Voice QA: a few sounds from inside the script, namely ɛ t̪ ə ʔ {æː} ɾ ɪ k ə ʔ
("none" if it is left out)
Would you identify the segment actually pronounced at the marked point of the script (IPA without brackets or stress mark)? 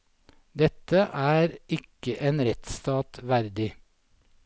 æː